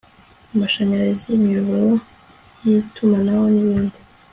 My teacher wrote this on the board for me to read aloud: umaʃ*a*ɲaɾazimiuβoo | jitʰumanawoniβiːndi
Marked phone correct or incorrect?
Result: correct